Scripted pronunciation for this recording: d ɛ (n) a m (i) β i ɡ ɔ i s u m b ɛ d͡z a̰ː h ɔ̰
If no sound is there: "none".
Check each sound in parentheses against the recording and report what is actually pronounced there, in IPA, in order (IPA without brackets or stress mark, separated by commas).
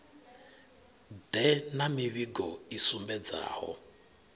n, i